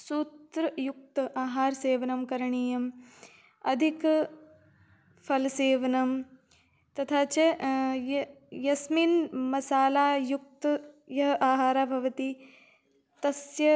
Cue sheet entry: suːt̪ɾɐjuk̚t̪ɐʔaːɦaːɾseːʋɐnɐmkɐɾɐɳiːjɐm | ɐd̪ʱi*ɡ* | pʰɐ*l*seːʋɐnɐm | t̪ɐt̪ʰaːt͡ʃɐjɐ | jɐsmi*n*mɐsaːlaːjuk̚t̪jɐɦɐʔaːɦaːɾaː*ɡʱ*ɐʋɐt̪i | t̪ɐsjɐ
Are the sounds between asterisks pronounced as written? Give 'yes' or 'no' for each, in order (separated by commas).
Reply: no, yes, yes, no